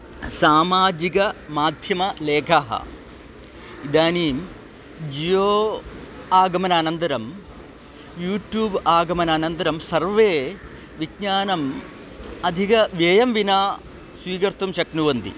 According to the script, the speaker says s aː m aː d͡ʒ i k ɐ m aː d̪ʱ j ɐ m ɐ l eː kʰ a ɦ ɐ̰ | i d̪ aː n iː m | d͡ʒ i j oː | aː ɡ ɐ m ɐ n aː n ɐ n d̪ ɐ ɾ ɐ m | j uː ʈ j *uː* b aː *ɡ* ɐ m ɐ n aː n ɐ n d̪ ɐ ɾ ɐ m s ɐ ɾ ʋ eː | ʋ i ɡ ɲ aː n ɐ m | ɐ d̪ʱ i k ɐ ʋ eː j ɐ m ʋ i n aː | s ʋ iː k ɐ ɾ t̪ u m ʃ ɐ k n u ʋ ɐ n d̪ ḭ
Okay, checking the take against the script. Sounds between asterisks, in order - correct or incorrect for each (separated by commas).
correct, correct